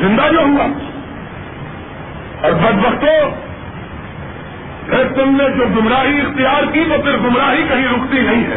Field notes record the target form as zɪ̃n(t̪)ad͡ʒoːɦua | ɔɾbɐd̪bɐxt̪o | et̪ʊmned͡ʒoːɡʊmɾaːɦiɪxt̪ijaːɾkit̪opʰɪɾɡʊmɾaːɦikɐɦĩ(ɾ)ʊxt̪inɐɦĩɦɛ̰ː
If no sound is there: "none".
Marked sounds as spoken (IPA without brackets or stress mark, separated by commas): d̪, ɾ